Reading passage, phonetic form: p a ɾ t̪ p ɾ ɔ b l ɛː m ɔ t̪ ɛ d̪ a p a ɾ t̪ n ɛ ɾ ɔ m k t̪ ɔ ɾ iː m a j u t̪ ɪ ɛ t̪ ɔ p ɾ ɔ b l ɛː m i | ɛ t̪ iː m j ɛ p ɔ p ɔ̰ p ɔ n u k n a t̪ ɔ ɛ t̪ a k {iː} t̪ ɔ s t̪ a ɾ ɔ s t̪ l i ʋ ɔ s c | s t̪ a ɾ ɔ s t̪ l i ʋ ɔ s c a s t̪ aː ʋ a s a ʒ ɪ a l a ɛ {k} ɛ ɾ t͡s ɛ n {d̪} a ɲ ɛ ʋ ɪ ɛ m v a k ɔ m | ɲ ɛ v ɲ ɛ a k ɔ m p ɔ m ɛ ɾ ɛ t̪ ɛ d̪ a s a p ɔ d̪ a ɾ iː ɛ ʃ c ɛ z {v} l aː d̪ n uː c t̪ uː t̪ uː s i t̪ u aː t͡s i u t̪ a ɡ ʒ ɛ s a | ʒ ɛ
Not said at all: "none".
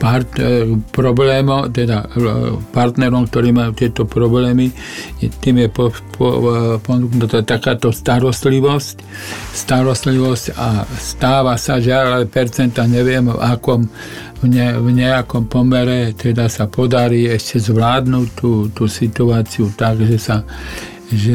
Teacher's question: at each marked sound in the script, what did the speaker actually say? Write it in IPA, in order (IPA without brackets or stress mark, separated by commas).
aː, p, t̪, ʋ